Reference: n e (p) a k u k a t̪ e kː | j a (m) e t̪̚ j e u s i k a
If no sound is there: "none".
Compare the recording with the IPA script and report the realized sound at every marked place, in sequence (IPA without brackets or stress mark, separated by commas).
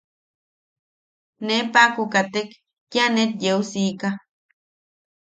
p, n